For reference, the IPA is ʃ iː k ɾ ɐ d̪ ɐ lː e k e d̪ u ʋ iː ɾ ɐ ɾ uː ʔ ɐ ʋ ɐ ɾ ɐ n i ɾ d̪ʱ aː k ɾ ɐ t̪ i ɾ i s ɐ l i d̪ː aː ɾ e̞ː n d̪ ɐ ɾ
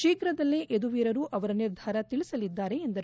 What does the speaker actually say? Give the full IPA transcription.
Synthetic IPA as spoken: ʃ iː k ɾ ɐ d̪ ɐ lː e ʔ e d̪ u ʋ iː ɾ ɐ ɾ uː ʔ ɐ ʋ ɐ ɾ ɐ n i ɾ d̪ʱ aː ɾ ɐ t̪ i ɭ i s ɐ l i d̪ː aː ɾ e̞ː n d̪ ɐ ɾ